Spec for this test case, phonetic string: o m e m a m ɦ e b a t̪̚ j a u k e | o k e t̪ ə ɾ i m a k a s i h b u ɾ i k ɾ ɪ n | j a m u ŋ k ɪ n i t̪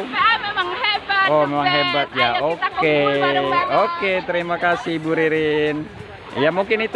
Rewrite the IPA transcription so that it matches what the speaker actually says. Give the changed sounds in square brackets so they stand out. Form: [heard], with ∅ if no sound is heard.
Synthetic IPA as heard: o m e m a [ŋ] ɦ e b a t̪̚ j a [o] k e | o k e t̪ ə ɾ i m a k a s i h b u ɾ i [∅] ɾ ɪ n | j a m u ŋ k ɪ n i t̪